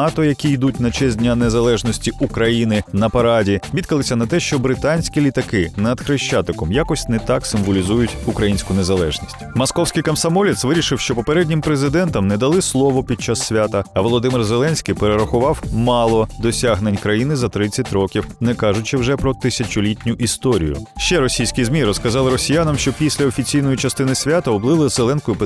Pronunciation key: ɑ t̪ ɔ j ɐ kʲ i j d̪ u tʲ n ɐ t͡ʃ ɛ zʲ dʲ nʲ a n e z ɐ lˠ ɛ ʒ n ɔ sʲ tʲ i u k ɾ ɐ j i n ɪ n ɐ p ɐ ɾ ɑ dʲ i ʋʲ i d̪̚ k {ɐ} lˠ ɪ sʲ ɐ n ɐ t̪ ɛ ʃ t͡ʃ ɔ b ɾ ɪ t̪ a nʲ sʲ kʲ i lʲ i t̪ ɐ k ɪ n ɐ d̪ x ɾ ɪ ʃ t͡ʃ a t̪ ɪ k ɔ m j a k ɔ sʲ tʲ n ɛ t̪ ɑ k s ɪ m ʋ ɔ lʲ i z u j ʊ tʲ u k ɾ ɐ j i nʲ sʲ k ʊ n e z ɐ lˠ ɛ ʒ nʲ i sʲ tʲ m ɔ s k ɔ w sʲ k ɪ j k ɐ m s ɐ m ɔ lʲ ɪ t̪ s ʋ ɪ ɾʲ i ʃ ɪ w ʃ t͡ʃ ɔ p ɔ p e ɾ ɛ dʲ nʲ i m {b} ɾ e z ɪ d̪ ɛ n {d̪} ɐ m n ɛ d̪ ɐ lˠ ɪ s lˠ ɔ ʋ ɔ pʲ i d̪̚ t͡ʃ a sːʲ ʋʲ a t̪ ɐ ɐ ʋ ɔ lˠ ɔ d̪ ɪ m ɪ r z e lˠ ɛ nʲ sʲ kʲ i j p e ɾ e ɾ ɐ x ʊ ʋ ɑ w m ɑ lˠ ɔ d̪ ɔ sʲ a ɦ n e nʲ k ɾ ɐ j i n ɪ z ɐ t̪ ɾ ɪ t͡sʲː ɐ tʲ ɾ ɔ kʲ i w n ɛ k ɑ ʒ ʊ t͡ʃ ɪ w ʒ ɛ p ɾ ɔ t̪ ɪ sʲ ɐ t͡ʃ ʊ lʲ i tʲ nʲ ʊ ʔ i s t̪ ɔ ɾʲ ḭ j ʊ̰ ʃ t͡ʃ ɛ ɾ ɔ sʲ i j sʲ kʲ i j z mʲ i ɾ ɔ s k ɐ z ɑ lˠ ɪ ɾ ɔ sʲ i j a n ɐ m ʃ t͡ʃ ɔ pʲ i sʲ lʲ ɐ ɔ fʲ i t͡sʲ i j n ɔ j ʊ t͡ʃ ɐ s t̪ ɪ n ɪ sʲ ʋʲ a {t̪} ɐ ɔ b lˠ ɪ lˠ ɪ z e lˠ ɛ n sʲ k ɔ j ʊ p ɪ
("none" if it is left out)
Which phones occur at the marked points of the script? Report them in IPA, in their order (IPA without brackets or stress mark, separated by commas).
ɐ, p, t̪, t̪